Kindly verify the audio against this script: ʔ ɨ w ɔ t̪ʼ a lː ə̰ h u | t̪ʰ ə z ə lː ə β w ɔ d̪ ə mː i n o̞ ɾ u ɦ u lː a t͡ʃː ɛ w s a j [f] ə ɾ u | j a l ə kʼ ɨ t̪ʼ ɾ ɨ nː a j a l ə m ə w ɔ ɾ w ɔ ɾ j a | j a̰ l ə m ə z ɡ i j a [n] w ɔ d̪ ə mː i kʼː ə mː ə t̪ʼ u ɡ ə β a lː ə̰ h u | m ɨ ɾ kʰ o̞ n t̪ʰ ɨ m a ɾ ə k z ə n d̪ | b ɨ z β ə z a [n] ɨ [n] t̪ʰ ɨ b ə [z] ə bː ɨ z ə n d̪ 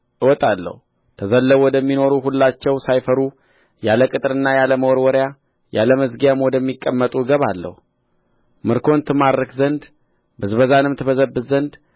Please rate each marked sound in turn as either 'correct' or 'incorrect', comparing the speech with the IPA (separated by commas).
correct, incorrect, correct, incorrect, correct